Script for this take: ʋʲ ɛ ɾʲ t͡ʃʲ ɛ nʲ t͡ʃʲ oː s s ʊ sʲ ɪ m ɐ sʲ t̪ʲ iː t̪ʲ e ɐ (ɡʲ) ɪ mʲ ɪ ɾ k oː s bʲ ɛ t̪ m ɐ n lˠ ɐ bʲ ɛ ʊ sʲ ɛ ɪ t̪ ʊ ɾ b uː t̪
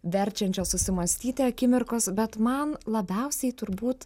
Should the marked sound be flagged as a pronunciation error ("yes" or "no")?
yes